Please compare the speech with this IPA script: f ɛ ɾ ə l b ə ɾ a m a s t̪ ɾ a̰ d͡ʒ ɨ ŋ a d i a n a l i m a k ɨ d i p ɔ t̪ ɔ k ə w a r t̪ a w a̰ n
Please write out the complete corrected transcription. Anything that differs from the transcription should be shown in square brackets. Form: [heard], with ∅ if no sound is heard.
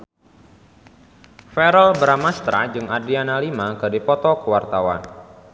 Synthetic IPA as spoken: f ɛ ɾ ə l b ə ɾ a m a s t̪ ɾ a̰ d͡ʒ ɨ ŋ a d i a n a l i m a k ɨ d i p ɔ t̪ ɔ k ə w a r t̪ a w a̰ n